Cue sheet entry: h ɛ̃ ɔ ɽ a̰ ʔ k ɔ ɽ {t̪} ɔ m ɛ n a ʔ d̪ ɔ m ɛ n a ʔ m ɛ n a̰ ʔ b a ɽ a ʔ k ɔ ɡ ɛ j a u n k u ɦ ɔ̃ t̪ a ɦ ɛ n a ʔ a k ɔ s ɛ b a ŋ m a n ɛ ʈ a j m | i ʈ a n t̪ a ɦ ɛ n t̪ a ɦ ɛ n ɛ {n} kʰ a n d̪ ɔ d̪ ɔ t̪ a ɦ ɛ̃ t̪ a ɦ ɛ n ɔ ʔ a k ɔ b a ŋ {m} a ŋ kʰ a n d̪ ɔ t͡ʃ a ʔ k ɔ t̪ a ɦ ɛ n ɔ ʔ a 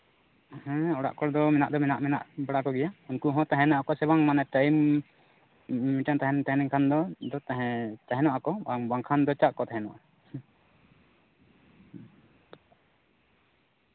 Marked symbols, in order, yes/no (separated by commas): no, no, no